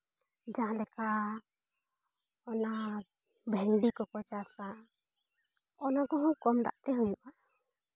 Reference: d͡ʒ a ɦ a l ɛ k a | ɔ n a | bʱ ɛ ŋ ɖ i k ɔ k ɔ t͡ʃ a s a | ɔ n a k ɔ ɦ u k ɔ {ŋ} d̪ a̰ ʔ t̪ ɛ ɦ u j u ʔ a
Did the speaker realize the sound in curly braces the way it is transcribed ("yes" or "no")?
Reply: no